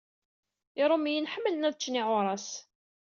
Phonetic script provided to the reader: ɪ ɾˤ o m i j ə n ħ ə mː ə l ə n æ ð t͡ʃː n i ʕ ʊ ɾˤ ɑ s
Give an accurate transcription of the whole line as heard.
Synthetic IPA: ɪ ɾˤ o m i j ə n ħ ə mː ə l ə n æ ð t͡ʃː n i ʕ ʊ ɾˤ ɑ s

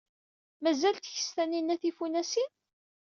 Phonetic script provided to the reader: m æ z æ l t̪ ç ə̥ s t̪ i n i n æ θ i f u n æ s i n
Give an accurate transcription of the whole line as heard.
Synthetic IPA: m æ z æ l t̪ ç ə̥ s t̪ æ n i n æ θ i f u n æ s i n

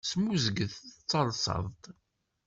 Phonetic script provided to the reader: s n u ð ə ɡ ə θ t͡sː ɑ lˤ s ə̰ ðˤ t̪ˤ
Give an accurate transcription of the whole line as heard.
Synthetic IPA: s m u z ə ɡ ə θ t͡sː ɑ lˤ s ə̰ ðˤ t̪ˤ

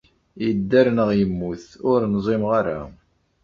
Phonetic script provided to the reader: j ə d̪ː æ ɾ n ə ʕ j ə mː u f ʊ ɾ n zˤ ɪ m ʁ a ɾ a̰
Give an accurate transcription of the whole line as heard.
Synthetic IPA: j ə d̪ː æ ɾ n ə ʁ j ə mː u θ ʊ ɾ n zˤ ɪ m ʁ a ɾ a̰

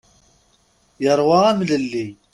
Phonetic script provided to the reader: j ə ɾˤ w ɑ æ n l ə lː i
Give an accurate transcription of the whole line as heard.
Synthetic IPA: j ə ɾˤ w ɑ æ m l ə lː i

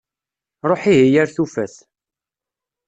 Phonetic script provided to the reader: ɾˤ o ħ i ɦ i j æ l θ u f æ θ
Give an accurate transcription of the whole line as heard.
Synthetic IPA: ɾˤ o ħ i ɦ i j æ ɾ θ u f æ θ

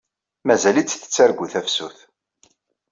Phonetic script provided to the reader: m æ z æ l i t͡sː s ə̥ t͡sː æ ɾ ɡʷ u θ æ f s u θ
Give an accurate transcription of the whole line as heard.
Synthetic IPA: m æ z æ l i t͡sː θ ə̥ t͡sː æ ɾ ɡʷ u θ æ f s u θ

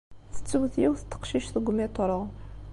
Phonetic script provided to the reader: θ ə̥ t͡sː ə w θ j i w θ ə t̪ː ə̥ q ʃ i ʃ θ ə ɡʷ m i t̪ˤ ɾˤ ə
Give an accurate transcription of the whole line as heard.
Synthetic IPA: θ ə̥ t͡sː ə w θ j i w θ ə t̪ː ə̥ q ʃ i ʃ θ ə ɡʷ m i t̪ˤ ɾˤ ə

